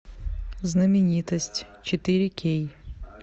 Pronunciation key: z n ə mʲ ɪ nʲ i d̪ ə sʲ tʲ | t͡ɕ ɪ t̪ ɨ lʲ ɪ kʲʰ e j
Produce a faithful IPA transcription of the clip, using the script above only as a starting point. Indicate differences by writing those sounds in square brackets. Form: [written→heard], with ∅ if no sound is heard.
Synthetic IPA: z n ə mʲ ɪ nʲ i [d̪→t̪] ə sʲ tʲ | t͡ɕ ɪ t̪ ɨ [lʲ→ɾʲ] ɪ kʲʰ e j